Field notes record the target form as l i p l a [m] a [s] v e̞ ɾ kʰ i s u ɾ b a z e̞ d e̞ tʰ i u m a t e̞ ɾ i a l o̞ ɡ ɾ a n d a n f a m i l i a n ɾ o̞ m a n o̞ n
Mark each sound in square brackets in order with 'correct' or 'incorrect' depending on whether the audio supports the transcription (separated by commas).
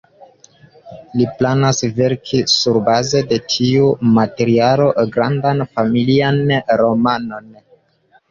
incorrect, correct